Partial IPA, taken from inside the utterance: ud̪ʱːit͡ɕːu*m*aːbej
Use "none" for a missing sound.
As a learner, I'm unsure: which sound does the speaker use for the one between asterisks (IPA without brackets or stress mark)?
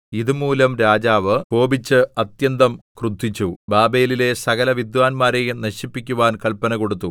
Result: b